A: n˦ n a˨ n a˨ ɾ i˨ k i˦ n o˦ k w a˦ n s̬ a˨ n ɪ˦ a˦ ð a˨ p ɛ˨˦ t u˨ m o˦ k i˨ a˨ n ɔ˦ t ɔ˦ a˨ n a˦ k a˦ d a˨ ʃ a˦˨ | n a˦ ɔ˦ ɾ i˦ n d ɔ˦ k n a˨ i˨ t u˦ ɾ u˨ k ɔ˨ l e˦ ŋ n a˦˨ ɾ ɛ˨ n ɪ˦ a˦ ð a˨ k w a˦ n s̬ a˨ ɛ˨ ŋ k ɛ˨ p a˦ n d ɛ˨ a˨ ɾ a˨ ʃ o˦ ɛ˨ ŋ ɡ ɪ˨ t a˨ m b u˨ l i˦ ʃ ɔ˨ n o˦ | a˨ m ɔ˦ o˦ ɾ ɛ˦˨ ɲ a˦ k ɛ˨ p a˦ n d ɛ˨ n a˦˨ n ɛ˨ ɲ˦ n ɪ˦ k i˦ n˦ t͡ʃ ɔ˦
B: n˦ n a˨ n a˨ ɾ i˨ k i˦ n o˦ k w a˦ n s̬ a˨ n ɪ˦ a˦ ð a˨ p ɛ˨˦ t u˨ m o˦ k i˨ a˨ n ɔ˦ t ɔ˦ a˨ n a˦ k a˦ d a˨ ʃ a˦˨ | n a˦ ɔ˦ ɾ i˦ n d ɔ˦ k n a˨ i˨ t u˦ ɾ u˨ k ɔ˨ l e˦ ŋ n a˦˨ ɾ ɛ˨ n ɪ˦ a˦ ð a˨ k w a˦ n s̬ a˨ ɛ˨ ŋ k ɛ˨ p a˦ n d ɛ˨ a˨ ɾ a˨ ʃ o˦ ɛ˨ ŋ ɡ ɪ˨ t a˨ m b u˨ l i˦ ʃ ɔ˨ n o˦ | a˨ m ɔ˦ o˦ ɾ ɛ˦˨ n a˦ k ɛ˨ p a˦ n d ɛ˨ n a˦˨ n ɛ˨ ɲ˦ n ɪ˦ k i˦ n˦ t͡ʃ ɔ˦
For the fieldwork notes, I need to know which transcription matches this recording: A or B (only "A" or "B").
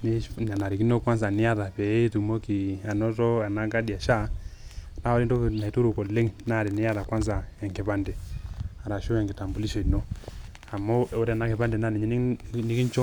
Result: B